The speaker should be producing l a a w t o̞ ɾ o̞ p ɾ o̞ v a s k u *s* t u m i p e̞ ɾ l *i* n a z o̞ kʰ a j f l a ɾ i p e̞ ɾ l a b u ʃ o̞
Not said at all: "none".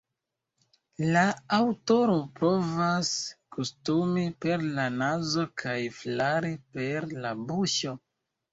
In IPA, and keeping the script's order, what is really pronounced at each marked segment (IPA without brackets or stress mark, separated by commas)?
s, a